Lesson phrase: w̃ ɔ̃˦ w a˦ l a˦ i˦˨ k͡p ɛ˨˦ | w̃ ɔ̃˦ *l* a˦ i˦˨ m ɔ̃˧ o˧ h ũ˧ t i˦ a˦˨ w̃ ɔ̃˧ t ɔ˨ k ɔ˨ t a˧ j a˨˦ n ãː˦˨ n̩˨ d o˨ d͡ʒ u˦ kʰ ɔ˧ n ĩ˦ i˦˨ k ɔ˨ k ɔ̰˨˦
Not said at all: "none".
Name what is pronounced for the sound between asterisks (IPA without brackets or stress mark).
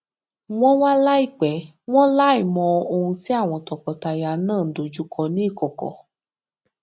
l